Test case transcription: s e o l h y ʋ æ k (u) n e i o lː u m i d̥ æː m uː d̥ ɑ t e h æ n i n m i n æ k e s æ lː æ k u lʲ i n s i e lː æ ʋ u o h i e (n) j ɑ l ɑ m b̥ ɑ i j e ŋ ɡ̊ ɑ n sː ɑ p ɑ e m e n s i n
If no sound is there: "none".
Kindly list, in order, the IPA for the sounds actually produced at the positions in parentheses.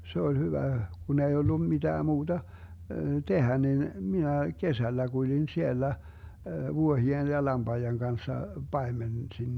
u, n

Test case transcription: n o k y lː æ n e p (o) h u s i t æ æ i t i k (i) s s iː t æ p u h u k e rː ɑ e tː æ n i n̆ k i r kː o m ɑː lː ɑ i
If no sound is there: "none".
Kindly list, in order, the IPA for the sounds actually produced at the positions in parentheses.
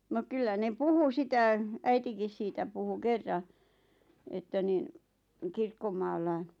u, i

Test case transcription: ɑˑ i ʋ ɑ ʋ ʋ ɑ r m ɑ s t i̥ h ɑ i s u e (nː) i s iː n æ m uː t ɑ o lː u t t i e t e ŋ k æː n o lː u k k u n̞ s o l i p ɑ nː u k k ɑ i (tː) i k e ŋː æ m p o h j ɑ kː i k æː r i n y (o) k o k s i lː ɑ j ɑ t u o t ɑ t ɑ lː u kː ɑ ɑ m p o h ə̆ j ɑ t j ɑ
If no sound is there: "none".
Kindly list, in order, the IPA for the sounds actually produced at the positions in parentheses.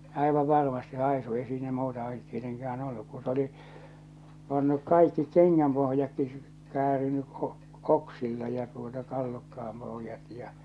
none, kː, o

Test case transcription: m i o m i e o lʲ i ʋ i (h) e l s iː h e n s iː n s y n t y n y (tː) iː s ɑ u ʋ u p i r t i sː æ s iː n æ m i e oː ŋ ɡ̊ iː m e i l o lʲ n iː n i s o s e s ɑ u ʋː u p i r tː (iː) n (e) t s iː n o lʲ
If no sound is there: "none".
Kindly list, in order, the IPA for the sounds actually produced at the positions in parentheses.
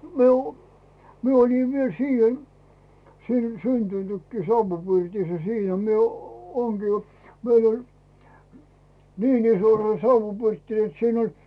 none, kː, i, e

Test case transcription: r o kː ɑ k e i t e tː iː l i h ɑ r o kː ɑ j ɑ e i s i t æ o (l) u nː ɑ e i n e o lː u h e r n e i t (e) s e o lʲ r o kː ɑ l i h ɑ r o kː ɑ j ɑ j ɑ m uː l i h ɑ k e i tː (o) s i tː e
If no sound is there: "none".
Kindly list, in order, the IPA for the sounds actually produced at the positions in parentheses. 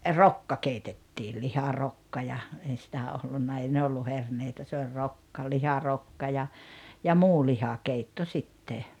lː, æ, o

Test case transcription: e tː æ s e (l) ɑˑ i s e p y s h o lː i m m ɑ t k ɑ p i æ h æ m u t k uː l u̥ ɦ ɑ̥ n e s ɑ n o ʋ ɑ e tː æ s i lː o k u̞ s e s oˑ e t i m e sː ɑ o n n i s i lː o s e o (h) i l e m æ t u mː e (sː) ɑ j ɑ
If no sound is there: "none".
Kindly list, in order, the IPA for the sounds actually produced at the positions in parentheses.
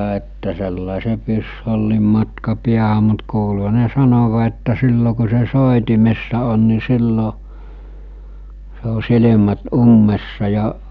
lː, s, sː

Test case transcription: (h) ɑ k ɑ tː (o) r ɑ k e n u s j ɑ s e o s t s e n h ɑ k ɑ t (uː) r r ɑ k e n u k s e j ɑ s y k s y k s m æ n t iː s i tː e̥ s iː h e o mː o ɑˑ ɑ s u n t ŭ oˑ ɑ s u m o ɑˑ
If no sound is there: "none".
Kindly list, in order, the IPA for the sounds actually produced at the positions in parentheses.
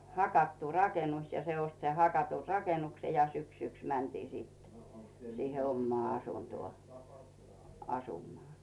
h, u, u

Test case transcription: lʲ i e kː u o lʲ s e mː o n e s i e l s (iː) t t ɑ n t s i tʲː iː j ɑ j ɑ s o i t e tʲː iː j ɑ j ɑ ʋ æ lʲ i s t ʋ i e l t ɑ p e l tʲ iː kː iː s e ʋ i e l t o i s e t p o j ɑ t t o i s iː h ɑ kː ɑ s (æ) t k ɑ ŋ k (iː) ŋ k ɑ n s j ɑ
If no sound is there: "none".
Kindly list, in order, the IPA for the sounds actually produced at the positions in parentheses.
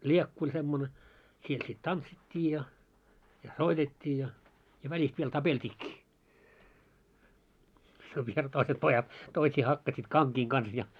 i, i, iː

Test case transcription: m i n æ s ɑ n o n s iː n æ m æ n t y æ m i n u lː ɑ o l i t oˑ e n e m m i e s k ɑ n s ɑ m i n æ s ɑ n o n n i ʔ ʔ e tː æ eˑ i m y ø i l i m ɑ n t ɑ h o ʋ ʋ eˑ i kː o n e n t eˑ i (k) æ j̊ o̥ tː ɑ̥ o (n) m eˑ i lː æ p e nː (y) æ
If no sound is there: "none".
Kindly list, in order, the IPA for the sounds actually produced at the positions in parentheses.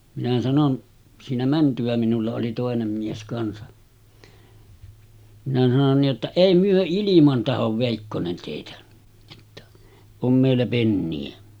t, m, i

